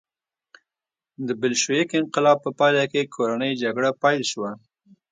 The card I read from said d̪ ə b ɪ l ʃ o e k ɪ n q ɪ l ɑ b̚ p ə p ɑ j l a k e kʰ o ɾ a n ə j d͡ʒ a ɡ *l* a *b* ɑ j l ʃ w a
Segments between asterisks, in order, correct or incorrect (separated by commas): incorrect, incorrect